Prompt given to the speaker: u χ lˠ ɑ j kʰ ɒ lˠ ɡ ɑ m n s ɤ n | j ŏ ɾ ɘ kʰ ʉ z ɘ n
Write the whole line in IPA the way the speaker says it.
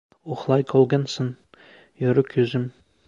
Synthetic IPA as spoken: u χ lˠ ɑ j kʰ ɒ lˠ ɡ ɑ n s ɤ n | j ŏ ɾ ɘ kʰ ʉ z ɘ m

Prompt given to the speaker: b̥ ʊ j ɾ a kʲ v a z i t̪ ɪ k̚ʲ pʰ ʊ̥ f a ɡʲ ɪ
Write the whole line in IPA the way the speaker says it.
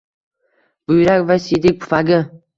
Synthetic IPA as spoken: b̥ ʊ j ɾ a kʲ v a s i d̪ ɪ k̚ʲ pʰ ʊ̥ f a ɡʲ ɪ

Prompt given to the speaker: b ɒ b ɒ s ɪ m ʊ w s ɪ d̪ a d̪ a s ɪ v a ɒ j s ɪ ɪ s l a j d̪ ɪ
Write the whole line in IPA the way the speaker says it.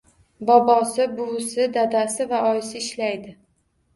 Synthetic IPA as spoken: b ɒ b ɒ s ɪ b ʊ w s ɪ d̪ a d̪ a s ɪ v a ɒ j s ɪ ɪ ʃ l a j d̪ ɪ

